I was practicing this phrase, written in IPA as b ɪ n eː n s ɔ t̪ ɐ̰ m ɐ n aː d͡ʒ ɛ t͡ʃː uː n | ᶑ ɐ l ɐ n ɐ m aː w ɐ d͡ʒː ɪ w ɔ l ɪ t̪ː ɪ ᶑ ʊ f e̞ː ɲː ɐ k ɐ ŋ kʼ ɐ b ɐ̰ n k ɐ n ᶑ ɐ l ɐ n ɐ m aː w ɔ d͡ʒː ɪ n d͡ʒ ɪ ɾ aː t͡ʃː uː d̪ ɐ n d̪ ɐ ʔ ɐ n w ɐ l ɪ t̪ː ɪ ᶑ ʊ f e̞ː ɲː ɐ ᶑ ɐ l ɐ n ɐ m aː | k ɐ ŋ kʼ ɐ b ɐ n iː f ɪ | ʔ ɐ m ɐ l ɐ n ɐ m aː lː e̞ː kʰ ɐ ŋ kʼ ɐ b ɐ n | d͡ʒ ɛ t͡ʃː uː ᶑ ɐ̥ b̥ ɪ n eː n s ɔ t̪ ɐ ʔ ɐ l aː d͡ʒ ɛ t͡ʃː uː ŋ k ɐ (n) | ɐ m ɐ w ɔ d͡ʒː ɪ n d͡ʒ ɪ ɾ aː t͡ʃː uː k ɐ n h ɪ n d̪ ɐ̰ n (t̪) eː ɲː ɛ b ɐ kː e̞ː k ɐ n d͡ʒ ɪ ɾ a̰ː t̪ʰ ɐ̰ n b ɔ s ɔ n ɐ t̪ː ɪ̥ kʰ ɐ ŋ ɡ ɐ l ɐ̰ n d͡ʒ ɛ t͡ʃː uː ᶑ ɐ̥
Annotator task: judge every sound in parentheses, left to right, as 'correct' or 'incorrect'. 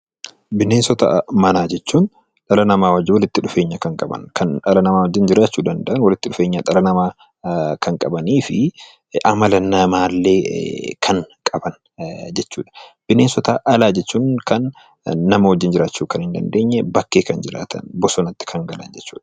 incorrect, incorrect

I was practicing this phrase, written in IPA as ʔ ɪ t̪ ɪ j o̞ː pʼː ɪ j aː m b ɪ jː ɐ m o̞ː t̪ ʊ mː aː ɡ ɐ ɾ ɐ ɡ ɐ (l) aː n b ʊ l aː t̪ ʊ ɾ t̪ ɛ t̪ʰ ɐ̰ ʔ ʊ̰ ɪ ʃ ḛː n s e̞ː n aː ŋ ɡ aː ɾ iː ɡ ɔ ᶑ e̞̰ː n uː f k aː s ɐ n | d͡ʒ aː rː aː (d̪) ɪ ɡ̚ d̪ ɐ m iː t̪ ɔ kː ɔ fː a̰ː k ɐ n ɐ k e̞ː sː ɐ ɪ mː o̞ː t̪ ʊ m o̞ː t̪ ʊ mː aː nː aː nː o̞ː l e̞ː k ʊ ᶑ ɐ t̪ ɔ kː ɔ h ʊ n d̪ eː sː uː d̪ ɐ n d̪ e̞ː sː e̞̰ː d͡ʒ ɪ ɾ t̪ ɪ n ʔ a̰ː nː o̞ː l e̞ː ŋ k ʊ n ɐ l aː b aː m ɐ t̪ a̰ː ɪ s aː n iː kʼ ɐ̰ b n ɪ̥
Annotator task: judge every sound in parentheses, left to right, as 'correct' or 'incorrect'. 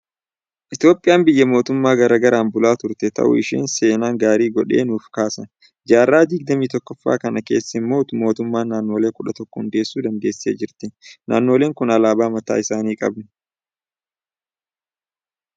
incorrect, correct

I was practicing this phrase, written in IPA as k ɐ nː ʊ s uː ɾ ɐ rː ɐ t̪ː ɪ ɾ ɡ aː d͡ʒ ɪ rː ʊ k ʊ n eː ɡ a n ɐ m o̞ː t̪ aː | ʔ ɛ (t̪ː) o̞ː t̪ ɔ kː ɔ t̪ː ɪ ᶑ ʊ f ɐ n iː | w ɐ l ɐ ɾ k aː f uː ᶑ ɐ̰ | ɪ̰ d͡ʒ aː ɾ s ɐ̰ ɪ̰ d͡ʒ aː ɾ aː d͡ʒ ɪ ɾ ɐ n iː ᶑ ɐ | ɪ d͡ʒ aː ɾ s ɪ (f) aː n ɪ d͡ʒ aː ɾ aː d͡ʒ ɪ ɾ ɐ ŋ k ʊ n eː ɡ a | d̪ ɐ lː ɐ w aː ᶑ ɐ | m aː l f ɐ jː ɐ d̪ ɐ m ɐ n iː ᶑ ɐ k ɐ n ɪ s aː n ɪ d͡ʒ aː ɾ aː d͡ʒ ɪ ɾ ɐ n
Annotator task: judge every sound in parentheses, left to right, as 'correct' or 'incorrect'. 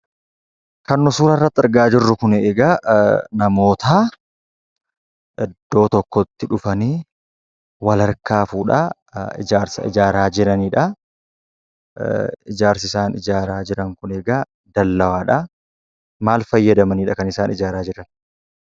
incorrect, incorrect

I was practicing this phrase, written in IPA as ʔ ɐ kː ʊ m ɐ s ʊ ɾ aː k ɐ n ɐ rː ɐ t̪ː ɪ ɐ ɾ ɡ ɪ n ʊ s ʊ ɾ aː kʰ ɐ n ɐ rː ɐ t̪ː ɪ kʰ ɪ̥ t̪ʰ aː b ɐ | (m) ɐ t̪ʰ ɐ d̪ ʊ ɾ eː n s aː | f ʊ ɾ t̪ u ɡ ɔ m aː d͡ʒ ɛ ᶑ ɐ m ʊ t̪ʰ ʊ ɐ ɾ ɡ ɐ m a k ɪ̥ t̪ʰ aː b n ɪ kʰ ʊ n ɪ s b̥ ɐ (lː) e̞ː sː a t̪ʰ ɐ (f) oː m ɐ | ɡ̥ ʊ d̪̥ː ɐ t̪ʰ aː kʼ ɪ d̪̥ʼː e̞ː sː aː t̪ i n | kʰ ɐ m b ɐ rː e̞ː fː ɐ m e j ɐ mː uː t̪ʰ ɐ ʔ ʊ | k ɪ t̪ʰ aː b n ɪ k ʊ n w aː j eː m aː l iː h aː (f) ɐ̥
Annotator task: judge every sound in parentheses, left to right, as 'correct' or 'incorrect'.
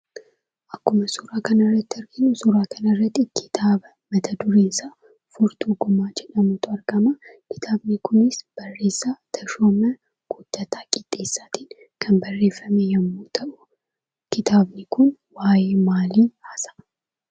correct, incorrect, incorrect, incorrect

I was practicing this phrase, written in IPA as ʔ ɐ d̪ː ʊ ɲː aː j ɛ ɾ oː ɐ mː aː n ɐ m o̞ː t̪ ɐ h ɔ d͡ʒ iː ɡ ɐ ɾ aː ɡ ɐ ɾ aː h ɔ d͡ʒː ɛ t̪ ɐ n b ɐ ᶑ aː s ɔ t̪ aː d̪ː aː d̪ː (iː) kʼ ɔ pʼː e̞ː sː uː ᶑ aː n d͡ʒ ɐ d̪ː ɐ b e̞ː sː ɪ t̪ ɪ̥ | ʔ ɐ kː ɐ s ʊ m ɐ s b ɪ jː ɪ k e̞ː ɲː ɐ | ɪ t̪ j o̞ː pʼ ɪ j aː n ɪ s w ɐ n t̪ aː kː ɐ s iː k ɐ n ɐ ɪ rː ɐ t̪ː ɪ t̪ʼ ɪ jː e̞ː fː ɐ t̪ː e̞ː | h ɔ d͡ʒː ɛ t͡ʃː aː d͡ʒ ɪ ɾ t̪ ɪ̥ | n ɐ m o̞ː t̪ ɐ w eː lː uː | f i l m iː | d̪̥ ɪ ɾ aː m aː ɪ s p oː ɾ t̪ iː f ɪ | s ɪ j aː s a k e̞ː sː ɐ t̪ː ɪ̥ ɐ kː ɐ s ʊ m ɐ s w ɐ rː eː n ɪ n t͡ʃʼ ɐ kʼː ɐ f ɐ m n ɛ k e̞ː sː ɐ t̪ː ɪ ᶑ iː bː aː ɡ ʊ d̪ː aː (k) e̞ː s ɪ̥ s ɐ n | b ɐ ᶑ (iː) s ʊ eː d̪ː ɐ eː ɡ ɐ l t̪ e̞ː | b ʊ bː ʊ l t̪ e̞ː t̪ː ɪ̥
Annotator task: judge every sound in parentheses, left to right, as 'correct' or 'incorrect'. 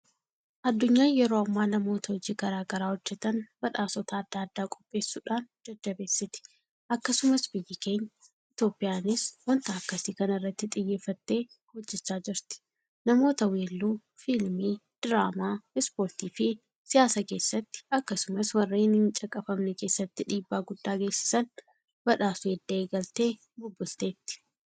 incorrect, incorrect, incorrect

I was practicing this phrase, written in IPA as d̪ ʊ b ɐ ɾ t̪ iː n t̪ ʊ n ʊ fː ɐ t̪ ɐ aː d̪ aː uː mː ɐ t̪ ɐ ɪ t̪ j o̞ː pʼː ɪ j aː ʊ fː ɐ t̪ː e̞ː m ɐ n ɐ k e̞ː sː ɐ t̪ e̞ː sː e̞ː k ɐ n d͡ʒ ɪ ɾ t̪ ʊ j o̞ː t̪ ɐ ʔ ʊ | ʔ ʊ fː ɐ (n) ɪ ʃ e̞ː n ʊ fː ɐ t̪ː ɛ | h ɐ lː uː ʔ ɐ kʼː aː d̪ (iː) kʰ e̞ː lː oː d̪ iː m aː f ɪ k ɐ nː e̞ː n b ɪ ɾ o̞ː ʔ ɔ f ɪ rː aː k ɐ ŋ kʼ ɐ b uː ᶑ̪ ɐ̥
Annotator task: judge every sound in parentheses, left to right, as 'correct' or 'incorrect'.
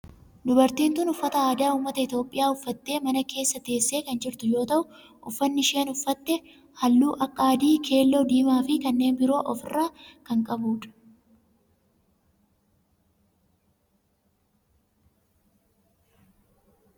incorrect, correct

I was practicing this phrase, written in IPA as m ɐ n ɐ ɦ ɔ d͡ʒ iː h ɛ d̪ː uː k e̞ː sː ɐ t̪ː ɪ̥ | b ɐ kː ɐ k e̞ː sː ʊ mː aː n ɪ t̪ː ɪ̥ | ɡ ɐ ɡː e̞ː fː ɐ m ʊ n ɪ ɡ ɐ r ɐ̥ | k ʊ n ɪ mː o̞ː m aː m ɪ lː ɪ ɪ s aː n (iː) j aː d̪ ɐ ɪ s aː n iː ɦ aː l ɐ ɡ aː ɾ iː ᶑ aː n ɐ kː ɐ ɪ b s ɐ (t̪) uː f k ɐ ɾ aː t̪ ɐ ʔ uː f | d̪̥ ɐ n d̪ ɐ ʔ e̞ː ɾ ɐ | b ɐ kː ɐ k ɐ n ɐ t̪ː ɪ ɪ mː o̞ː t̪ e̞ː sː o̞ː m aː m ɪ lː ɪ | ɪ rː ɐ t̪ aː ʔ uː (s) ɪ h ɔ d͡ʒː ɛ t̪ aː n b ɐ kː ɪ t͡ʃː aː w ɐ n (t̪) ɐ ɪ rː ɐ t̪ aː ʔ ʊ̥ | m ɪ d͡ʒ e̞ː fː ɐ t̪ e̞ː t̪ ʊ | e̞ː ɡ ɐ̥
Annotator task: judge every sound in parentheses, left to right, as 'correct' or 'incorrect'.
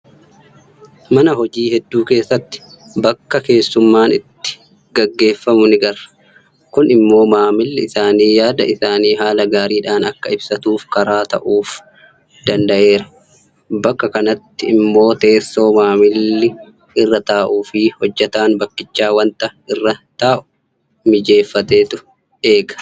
correct, correct, incorrect, correct

